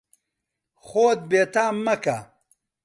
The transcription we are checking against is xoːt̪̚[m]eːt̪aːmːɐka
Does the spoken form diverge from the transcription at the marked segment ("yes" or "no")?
yes